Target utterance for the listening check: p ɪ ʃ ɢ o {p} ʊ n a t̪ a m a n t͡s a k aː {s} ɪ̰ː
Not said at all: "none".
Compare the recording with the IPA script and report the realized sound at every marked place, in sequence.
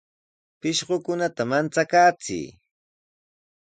k, t͡s

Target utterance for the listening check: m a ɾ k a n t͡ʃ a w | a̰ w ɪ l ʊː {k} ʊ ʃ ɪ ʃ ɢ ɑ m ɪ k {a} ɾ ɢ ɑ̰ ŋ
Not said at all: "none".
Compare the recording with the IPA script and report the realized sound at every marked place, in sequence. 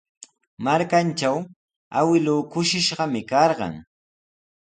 k, ɑ

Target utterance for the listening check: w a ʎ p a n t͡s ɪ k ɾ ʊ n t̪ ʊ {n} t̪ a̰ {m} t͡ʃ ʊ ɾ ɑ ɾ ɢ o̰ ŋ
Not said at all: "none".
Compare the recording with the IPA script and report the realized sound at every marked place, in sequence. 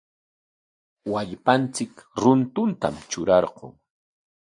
n, m

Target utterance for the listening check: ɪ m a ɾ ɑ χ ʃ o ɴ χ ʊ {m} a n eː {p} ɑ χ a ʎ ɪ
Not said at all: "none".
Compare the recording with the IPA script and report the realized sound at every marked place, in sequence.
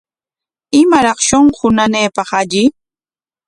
n, p

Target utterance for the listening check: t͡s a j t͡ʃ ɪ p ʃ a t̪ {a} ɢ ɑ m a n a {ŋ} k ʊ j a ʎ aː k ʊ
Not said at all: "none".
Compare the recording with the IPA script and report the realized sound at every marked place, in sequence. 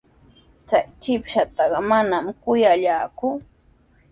ɑ, m

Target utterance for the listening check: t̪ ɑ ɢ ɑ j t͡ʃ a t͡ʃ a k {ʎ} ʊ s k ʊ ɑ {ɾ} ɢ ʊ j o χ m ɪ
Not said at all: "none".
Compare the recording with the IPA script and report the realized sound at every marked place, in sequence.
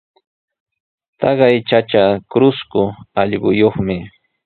ɾ, ʎ

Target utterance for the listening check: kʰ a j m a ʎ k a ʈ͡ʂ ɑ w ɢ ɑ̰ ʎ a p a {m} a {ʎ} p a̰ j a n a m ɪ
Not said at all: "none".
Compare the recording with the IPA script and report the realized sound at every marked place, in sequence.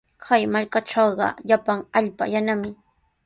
ŋ, ʎ

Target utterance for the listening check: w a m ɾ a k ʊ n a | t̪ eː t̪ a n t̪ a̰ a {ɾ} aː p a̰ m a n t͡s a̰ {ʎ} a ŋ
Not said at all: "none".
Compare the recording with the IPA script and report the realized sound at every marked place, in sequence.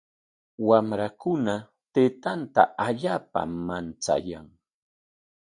ʎ, j

